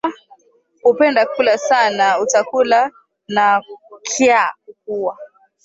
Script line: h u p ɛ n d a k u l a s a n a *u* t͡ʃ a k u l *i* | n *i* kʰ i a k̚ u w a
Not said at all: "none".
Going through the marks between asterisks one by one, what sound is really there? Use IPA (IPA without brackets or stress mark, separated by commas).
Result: u, a, a